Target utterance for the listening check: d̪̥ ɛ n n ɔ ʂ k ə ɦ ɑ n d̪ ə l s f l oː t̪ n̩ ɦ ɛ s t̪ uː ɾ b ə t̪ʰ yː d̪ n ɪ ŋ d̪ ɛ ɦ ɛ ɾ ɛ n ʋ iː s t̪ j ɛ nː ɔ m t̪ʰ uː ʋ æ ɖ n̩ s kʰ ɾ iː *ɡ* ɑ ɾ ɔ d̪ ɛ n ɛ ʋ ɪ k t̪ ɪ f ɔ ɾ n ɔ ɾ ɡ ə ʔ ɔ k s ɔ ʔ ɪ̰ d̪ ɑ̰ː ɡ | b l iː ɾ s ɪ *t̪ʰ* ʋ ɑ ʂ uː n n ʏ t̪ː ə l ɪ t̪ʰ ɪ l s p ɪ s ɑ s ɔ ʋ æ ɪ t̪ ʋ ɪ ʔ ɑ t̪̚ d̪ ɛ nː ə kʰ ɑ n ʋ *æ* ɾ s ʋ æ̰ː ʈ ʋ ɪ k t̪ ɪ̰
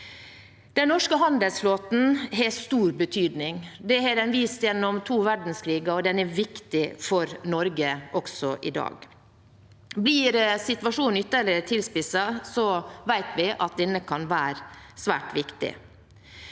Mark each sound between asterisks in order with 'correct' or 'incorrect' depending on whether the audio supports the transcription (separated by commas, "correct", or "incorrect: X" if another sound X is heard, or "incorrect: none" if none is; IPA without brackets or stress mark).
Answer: correct, incorrect: t̪, incorrect: æː